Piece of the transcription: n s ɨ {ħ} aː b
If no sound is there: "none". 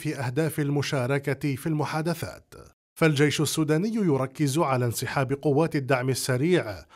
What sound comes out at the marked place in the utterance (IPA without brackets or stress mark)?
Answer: ħ